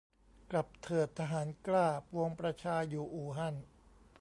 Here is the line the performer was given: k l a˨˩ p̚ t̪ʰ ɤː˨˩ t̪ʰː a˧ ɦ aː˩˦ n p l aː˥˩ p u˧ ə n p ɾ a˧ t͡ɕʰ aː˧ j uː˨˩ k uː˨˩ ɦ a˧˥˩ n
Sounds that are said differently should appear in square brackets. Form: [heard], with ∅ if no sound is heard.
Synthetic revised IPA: k l a˨˩ p̚ t̪ʰ ɤː˨˩ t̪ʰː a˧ ɦ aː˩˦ n [k] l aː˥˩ p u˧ ə [ŋ] p ɾ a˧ t͡ɕʰ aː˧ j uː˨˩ [ʔ] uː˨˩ ɦ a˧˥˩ n